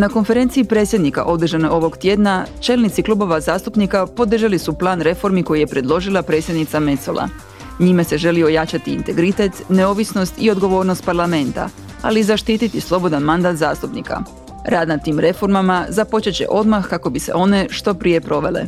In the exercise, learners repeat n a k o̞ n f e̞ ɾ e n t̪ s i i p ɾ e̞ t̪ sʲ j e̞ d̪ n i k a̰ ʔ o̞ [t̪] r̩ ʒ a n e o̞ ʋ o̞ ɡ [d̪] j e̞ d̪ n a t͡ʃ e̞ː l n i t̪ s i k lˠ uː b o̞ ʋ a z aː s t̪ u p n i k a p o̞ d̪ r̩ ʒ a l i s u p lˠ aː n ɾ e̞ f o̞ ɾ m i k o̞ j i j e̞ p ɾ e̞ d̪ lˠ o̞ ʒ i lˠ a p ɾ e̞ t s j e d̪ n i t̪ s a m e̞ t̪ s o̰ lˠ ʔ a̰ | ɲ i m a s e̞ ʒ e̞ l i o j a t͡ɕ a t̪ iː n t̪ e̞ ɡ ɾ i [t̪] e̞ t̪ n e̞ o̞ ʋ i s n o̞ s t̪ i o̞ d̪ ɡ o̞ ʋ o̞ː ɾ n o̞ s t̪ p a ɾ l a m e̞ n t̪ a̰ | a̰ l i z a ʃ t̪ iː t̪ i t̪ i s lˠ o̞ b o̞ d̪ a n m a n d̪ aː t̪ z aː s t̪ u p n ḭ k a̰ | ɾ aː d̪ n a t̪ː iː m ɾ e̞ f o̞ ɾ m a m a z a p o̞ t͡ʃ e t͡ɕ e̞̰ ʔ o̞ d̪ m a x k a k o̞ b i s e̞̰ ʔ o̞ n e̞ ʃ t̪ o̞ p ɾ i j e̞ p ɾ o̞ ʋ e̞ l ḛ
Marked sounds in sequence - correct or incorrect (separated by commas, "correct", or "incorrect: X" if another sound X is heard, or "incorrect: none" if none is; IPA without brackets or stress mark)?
incorrect: d̪, incorrect: t̪, correct